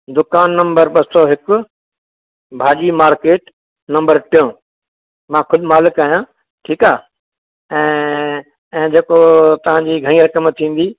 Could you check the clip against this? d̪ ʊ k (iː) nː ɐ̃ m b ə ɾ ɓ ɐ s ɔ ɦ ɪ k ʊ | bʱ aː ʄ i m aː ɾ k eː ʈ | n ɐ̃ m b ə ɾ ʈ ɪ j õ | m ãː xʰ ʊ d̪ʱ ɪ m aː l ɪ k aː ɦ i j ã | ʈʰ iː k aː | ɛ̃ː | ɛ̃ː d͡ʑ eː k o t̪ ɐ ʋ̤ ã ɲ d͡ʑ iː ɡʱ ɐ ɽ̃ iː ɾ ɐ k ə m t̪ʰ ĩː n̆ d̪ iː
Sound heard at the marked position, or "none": aː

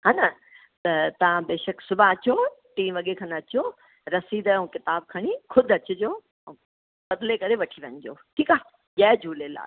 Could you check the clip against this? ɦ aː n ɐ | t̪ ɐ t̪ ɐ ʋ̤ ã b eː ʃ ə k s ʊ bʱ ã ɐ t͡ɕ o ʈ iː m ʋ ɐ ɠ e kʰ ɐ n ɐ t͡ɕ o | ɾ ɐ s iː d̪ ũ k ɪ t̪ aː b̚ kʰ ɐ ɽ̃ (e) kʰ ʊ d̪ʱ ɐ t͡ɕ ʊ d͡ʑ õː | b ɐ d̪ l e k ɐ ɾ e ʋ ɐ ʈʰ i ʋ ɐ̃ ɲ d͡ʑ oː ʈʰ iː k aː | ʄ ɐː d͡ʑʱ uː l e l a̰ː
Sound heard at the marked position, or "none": i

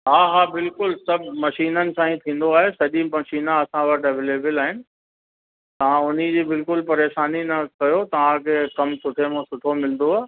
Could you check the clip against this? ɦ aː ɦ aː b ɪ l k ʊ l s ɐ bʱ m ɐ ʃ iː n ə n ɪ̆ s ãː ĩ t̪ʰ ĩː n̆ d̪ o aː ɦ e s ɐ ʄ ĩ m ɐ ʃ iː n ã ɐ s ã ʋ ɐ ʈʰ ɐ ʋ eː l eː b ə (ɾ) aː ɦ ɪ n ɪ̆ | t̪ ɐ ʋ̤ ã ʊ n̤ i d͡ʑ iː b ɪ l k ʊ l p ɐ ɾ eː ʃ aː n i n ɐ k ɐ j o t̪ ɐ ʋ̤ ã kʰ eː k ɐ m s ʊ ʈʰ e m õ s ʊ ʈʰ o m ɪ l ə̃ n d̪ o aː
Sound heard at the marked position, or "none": l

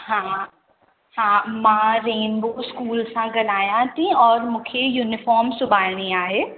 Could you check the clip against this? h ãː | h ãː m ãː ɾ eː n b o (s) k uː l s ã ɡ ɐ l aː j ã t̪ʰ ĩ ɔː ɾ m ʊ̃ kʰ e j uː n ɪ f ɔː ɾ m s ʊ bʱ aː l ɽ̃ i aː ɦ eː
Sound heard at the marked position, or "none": s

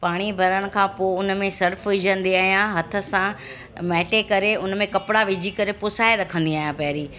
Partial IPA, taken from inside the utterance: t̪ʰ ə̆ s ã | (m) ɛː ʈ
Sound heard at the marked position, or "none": m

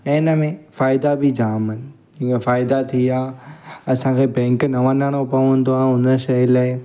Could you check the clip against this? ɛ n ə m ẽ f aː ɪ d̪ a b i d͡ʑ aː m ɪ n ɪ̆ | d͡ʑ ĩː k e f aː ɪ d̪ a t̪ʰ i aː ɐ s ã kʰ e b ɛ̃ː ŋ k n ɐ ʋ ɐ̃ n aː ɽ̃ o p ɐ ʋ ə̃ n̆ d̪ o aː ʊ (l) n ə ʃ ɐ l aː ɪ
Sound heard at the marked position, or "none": none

